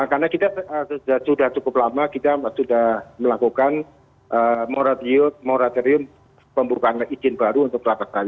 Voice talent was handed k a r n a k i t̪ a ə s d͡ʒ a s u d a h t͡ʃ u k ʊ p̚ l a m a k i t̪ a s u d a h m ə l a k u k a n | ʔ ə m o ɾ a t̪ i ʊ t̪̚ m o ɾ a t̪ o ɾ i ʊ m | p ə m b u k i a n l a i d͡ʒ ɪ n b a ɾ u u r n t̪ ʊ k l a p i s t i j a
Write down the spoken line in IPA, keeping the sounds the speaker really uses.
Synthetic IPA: k a r n a k i t̪ a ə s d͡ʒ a s u d a h t͡ʃ u k ʊ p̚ l a m a k i t̪ a s u d a h m ə l a k u k a n | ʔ ə m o ɾ a t̪ i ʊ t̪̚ m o ɾ a t̪ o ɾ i ʊ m | p ə m b u k a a n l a i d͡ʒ ɪ n b a ɾ u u n t̪ ʊ k l a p a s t a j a